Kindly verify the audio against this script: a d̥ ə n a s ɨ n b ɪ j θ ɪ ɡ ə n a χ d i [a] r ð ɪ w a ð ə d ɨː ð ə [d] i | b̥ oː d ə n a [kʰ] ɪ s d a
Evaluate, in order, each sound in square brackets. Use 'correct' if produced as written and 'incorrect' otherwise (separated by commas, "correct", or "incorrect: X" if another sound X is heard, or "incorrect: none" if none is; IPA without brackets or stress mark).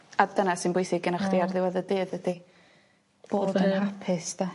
correct, correct, incorrect: pʰ